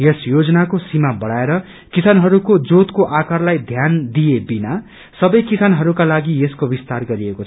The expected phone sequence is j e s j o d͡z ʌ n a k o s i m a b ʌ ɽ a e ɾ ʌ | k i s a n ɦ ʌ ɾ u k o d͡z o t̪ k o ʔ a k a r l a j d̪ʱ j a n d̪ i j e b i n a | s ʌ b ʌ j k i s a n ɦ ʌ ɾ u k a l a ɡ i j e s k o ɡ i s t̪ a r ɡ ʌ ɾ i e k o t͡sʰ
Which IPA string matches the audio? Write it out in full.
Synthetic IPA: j e s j o d͡z ʌ n a k o s i m a b ʌ ɽ a e ɾ ʌ | k i s a n ɦ ʌ ɾ u k o d͡z o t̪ k o ʔ a k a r l a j d̪ʱ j a n d̪ i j e b i n a | s ʌ b ʌ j k i s a n ɦ ʌ ɾ u k a l a ɡ i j e s k o b i s t̪ a r ɡ ʌ ɾ i e k o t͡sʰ